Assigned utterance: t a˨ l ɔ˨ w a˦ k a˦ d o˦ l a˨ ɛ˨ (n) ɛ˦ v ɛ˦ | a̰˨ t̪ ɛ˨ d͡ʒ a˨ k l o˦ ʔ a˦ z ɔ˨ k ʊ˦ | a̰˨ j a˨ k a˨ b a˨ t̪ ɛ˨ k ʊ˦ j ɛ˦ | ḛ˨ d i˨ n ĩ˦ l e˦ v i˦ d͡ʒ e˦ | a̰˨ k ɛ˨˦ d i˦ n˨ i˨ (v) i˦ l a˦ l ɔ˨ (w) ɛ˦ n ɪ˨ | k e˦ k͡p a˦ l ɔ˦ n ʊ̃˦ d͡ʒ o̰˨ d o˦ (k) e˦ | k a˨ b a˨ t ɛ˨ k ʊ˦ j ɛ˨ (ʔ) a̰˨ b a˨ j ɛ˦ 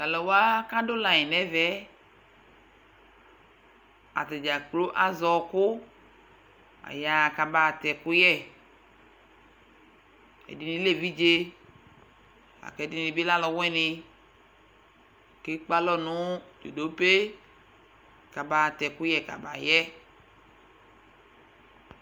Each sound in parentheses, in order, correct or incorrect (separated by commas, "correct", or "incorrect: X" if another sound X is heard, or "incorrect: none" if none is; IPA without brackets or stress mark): correct, incorrect: b, correct, incorrect: p, incorrect: k